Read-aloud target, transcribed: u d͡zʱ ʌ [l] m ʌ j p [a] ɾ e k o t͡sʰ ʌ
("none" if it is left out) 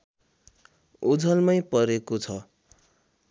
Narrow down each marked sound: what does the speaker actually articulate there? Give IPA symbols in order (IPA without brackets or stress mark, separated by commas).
l, ʌ